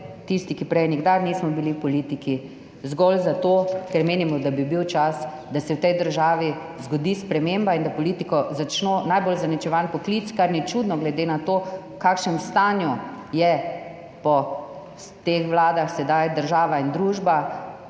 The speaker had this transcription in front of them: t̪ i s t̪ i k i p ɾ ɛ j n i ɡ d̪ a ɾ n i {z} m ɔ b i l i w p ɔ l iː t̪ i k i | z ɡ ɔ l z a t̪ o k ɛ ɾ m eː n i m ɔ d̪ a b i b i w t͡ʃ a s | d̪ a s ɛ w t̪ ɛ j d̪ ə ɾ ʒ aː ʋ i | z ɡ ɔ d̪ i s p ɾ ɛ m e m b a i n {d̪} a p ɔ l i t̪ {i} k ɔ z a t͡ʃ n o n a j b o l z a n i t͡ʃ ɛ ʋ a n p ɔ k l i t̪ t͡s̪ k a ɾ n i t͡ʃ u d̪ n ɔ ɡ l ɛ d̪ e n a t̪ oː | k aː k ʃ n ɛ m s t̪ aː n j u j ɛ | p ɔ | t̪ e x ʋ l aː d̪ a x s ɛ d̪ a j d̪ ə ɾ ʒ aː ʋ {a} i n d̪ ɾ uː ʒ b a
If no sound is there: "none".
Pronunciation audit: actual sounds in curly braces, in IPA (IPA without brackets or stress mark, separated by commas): s, d̪, i, a